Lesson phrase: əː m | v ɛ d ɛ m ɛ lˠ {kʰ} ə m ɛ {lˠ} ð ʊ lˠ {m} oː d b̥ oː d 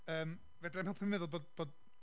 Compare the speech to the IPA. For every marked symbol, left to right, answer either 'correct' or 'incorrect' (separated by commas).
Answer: incorrect, incorrect, incorrect